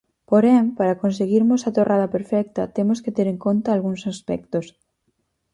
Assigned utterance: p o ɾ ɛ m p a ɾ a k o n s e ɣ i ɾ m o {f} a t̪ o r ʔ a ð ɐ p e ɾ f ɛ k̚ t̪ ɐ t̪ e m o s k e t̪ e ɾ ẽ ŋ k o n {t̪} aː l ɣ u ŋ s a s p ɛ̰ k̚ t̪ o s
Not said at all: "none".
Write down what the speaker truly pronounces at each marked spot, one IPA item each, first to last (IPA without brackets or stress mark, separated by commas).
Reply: s, t̪